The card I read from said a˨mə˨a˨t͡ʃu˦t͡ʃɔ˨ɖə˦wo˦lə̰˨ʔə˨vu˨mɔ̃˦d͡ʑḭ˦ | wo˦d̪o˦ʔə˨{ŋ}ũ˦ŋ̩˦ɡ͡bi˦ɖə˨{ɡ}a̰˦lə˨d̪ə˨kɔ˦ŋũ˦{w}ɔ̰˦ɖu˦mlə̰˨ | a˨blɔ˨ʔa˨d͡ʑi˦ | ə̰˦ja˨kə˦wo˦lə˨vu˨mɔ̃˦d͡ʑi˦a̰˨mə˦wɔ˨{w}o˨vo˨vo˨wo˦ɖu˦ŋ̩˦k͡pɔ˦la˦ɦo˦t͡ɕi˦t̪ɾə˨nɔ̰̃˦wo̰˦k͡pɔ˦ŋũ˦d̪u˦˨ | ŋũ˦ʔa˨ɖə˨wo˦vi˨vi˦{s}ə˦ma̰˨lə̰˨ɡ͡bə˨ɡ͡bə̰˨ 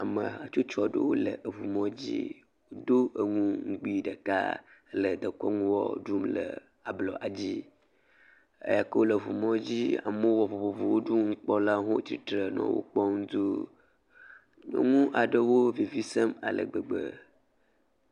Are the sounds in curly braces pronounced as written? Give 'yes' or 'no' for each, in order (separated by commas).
yes, no, yes, no, yes